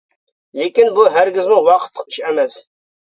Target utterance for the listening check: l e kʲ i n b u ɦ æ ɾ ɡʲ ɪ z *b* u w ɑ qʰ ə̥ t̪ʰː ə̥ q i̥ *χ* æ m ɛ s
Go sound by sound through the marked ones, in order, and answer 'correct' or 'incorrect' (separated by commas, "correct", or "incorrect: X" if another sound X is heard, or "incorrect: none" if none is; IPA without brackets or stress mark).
incorrect: m, incorrect: ʃ